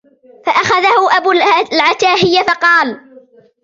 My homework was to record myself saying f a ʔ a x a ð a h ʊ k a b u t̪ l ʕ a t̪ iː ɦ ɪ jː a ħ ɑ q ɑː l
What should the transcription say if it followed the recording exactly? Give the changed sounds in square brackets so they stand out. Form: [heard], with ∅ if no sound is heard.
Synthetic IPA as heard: f a ʔ a x a ð a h ʊ [ʔ] a b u [∅] l ʕ a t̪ [aː] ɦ ɪ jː a [f] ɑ q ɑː l